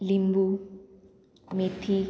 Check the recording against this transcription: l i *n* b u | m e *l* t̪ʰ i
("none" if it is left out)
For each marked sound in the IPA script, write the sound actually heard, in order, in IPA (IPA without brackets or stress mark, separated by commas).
m, none